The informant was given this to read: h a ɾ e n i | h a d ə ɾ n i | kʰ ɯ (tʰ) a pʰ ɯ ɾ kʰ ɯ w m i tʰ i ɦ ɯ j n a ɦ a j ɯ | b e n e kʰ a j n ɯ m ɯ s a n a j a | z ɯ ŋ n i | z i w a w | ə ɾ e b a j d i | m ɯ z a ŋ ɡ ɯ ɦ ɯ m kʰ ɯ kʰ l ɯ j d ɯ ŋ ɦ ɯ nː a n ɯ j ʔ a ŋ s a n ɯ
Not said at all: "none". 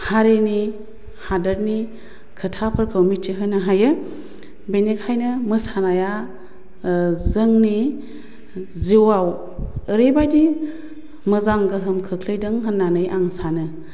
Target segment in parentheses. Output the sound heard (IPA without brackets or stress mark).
tʰ